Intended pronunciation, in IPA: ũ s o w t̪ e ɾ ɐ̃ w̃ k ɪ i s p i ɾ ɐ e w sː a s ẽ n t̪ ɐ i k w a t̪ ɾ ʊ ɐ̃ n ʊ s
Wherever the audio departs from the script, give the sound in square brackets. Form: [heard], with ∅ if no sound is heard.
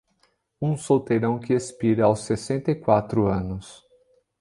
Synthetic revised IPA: ũ s o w t̪ e ɾ ɐ̃ w̃ k ɪ [e] s p i ɾ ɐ [a] w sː [e] s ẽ n t̪ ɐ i k w a t̪ ɾ ʊ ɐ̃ n ʊ s